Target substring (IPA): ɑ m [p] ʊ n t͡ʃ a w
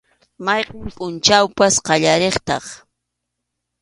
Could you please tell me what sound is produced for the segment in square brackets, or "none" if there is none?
pʼ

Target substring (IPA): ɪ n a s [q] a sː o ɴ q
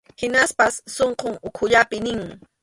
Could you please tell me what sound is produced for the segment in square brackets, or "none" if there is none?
p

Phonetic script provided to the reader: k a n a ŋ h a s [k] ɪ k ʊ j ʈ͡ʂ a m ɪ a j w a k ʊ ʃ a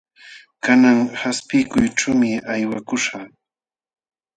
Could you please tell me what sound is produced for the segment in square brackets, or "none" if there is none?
p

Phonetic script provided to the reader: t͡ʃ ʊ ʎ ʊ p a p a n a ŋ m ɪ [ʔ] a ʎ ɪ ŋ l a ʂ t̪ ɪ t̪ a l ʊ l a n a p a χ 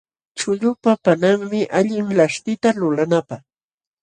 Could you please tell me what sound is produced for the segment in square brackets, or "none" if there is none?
ʔ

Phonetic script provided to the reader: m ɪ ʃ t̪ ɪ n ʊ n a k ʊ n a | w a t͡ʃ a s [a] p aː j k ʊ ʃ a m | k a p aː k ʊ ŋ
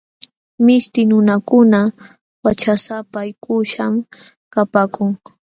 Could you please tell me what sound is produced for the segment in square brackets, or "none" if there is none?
a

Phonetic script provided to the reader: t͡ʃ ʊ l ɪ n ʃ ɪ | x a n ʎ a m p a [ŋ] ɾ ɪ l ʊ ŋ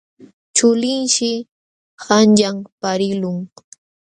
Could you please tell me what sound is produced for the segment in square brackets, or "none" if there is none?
none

